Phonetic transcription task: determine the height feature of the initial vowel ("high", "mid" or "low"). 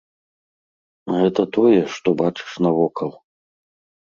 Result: mid